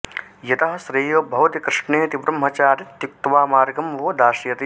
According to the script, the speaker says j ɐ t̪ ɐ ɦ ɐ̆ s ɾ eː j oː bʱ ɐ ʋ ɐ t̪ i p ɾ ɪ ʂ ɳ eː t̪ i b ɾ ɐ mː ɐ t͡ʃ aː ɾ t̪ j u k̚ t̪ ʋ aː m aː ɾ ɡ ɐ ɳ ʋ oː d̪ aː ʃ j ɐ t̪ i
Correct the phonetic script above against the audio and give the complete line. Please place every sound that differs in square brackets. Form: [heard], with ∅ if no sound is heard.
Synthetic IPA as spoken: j ɐ t̪ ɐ ɦ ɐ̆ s ɾ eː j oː bʱ ɐ ʋ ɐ t̪ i [k] ɾ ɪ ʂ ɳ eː t̪ i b ɾ ɐ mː ɐ t͡ʃ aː ɾ t̪ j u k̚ t̪ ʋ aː m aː ɾ ɡ ɐ [m] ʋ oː d̪ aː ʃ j ɐ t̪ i